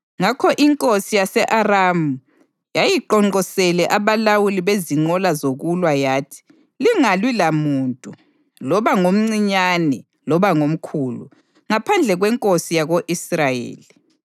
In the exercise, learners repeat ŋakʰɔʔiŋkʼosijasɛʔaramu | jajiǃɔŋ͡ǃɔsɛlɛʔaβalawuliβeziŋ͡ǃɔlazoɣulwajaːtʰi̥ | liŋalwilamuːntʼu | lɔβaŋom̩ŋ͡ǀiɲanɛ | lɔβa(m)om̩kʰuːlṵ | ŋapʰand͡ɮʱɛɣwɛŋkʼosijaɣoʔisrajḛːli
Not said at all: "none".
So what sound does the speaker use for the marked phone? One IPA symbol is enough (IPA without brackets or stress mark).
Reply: ŋ